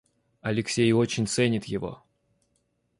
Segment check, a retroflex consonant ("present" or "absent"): absent